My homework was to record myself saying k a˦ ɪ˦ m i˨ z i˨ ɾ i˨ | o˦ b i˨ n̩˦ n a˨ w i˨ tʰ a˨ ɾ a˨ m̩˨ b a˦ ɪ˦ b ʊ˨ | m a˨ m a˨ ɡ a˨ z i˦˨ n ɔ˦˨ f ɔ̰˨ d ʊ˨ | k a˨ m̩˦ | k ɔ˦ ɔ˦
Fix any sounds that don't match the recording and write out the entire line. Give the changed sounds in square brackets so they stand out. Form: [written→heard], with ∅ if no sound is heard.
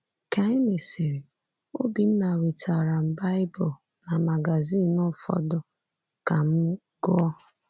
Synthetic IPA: k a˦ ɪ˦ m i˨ [z→s] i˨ ɾ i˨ | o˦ b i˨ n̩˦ n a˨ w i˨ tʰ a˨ ɾ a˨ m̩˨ b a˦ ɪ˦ b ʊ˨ | [m→n] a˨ m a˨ ɡ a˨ z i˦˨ n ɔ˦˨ f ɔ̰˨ d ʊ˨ | k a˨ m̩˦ | [k→ɡ] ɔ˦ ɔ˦